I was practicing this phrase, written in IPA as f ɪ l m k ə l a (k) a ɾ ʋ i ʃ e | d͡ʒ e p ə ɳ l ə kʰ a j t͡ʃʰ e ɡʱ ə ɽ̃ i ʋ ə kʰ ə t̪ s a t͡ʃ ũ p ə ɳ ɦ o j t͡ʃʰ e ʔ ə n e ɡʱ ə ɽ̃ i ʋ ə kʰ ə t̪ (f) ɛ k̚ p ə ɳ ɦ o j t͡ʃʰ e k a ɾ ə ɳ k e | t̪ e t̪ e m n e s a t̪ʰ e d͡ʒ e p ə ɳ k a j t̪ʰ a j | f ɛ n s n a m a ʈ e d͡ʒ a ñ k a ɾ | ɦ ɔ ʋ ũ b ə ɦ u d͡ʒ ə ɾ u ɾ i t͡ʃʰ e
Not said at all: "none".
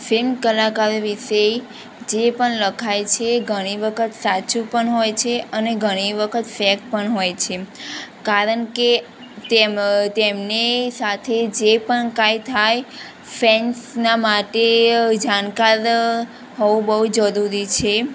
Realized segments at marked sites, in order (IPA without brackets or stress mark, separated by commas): k, f